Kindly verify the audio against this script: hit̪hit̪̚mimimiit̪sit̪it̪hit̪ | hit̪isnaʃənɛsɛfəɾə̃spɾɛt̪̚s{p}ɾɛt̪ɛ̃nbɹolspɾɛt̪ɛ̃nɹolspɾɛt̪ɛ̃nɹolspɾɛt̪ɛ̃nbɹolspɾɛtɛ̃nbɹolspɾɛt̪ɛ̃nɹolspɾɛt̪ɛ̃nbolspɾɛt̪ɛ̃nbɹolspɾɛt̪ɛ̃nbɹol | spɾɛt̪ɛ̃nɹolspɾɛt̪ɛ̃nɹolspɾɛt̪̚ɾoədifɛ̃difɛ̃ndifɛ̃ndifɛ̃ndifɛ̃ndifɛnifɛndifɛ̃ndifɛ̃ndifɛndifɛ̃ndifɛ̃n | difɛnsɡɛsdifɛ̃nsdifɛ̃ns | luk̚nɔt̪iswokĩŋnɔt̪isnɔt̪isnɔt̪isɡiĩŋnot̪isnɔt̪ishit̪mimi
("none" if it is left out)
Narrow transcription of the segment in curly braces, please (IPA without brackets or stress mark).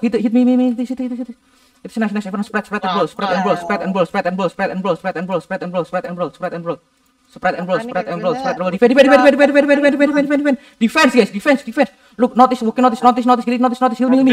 p